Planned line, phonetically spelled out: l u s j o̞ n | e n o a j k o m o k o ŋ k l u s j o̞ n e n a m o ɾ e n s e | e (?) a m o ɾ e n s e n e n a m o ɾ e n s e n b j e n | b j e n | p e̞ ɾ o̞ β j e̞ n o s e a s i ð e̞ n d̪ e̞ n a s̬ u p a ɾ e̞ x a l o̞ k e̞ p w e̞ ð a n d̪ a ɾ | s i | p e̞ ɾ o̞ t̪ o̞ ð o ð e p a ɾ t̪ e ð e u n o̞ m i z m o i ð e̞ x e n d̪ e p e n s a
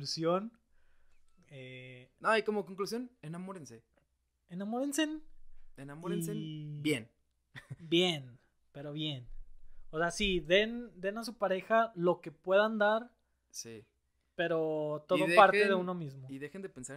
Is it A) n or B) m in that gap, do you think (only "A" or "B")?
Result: A